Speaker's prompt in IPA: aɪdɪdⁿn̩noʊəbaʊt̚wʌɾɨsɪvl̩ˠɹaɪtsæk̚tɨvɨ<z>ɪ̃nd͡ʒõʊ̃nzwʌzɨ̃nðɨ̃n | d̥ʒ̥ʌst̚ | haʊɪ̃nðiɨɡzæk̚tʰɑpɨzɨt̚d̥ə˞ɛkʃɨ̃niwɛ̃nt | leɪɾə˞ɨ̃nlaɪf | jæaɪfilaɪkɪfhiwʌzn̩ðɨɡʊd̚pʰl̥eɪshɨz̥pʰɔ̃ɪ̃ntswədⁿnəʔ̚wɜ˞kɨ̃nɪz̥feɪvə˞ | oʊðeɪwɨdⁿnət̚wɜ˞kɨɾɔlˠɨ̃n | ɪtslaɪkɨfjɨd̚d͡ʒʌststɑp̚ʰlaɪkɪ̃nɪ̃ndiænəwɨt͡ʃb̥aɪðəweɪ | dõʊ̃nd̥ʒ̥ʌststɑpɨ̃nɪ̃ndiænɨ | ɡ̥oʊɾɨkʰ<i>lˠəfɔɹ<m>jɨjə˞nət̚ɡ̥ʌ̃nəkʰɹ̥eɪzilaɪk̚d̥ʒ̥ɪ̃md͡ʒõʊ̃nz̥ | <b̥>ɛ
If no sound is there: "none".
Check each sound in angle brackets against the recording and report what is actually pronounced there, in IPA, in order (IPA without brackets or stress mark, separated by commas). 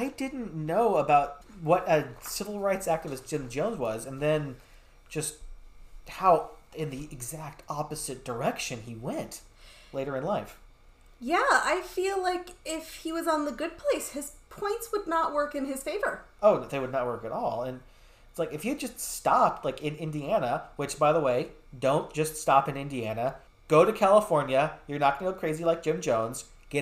s, æ, n, ɡ̥